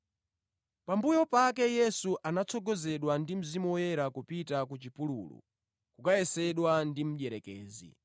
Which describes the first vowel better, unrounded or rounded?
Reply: unrounded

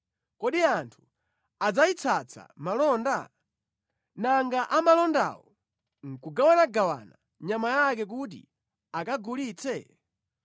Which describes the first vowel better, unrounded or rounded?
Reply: rounded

